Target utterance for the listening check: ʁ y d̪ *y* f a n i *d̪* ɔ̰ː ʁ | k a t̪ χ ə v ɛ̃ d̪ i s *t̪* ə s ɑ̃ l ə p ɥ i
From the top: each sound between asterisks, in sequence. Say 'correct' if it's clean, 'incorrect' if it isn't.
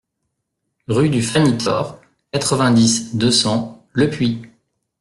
correct, incorrect: t̪, incorrect: d̪

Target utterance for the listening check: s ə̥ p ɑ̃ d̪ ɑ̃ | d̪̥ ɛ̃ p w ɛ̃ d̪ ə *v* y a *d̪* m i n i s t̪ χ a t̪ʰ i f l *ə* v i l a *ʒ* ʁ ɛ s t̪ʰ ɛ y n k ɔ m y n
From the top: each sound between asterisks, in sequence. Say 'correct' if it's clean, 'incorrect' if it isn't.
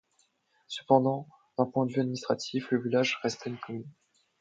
correct, correct, correct, correct

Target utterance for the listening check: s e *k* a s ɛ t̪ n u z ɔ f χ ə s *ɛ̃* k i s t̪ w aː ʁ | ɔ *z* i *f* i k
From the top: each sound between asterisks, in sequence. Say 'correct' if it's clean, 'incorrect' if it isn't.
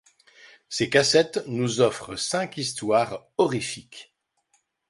correct, correct, incorrect: ʁ, correct

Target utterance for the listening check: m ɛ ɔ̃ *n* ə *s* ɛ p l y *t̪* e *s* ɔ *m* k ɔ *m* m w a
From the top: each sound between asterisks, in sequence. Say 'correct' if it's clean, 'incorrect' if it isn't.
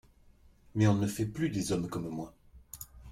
correct, incorrect: f, incorrect: d̪, incorrect: z, correct, correct

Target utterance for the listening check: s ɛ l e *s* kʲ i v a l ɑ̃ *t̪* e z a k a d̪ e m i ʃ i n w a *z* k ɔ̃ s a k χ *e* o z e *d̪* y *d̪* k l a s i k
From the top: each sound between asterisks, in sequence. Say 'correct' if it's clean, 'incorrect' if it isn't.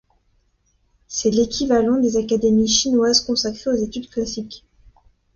incorrect: none, incorrect: d̪, correct, correct, incorrect: t̪, correct

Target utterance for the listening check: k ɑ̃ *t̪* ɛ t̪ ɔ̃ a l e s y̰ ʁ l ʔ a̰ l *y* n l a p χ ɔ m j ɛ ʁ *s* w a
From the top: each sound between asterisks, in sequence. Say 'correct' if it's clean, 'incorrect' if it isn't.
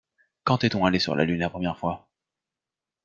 correct, correct, incorrect: f

